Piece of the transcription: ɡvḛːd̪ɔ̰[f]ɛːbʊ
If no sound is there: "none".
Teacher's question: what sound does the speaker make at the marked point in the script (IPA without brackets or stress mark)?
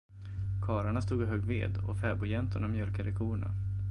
f